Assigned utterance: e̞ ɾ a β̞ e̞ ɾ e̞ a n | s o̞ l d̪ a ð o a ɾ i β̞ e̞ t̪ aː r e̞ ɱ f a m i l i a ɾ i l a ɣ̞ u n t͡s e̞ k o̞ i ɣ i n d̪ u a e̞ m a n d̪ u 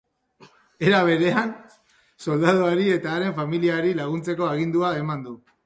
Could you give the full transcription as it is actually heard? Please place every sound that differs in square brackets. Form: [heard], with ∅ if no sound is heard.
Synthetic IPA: e̞ ɾ a β̞ e̞ ɾ e̞ a n | s o̞ l d̪ a ð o a ɾ i [∅] e̞ t̪ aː [ɾ] e̞ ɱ f a m i l i a ɾ i l a ɣ̞ u n t͡s e̞ k o̞ [a] ɣ i n d̪ u a e̞ m a n d̪ u